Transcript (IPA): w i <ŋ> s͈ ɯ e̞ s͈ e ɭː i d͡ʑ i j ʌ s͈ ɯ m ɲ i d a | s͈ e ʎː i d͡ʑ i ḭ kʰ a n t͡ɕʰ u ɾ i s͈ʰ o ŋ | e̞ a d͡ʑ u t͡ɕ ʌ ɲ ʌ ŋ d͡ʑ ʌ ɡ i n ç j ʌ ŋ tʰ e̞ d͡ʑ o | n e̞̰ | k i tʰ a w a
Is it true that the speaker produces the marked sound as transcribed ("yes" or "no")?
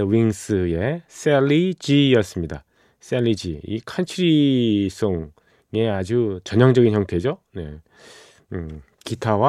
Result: yes